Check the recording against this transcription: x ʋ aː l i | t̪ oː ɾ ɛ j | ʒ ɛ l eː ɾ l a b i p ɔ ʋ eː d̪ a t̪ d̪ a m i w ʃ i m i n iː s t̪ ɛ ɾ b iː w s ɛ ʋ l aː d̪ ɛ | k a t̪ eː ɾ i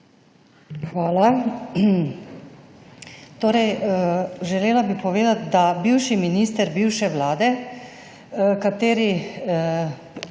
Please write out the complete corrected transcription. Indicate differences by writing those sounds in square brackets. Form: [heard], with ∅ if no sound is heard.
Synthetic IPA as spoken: x ʋ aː l [a] | t̪ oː ɾ ɛ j | ʒ ɛ l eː [∅] l a b i p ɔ ʋ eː d̪ a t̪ d̪ a [b] i w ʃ i m i n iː s t̪ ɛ ɾ b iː w [ʃ] ɛ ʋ l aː d̪ ɛ | k a t̪ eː ɾ i